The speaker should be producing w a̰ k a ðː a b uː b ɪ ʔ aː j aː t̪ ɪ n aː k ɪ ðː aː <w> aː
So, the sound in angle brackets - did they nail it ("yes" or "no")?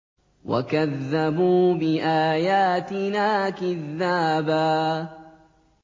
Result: no